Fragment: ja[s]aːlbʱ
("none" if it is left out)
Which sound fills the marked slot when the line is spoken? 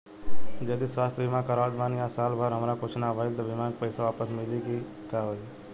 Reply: s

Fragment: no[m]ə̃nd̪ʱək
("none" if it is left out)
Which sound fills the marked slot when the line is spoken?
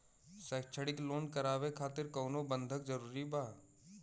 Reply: b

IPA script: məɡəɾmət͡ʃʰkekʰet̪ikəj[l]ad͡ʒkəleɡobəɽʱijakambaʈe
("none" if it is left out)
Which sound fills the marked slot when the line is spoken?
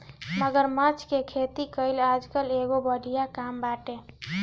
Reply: l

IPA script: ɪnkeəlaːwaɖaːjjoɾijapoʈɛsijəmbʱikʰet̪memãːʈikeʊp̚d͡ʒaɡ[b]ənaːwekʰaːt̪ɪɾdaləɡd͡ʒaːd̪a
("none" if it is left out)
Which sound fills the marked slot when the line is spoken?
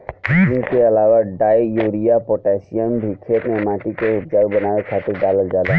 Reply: b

